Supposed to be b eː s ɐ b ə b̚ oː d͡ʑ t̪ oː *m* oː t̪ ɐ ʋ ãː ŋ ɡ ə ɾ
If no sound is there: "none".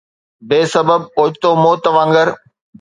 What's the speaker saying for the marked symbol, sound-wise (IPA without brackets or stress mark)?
m